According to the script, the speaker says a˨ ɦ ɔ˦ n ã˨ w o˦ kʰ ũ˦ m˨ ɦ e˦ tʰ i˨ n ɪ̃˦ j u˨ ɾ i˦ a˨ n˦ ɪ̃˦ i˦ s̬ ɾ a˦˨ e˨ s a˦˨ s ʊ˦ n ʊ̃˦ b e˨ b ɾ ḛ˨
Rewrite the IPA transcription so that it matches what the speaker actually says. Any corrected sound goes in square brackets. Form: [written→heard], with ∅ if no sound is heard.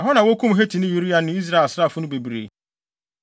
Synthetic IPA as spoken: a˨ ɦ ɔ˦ n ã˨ w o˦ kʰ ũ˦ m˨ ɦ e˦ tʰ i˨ n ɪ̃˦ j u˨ ɾ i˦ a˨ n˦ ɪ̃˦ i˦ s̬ ɾ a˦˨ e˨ s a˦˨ [s→f] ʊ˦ n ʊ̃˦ b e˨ b ɾ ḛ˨

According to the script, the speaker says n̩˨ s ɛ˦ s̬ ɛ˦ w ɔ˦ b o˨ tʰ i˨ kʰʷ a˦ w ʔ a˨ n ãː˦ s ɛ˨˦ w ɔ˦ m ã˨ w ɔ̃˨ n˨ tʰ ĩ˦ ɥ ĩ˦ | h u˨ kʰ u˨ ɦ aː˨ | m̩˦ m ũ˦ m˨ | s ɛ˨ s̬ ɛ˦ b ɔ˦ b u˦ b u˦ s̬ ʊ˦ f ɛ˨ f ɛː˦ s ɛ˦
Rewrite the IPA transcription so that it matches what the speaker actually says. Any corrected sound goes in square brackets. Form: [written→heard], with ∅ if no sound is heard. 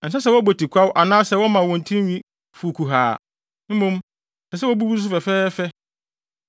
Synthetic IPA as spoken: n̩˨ s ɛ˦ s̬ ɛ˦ w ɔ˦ b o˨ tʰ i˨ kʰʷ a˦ w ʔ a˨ n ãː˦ s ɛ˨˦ w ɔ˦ m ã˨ w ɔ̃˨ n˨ tʰ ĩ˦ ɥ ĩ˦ | [h→f] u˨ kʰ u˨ ɦ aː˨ | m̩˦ m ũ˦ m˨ | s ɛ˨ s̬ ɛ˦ [b→w] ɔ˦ b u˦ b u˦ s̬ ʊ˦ f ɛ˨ f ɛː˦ [s→f] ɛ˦

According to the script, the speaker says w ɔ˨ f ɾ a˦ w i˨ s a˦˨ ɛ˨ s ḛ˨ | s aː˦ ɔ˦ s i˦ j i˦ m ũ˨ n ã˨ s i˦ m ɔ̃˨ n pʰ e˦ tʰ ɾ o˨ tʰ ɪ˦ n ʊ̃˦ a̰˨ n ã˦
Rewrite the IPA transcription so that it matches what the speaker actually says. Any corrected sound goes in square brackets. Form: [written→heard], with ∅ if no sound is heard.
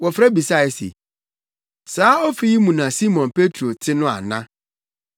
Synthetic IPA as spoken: w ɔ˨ f ɾ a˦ [w→b] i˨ s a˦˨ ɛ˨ s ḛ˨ | s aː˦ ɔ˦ [s→f] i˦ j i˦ m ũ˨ n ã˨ s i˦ m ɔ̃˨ n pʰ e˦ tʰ ɾ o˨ tʰ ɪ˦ n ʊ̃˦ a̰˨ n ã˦

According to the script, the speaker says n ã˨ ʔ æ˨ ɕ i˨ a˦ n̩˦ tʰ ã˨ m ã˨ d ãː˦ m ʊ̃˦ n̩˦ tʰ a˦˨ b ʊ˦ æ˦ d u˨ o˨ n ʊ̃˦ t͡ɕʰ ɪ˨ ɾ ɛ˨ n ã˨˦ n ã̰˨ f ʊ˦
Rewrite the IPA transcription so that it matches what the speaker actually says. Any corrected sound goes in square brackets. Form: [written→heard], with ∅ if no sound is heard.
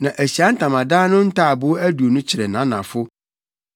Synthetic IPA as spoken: n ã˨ ʔ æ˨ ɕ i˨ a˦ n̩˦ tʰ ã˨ m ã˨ d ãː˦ [m→n] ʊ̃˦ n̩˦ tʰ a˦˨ b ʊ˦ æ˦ d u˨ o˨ n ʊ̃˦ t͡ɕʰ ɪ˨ ɾ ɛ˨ n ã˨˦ n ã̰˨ f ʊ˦

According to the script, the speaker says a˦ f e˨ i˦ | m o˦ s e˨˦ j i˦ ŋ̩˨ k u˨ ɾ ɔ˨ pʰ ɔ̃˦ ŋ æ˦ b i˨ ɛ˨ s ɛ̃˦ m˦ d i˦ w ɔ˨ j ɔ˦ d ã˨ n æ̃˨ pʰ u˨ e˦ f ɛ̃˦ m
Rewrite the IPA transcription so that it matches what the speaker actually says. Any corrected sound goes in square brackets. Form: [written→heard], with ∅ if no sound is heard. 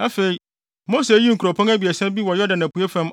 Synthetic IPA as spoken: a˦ f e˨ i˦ | m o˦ s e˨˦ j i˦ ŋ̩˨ k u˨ ɾ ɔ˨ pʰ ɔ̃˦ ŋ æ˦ b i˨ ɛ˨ s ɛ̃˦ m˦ [d→b] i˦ w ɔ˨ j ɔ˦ d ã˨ n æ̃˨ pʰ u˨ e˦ f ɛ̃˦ m

